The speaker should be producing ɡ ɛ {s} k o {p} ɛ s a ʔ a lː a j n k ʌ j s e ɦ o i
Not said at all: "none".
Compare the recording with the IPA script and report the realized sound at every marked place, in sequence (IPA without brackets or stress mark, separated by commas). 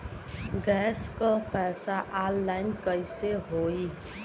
s, p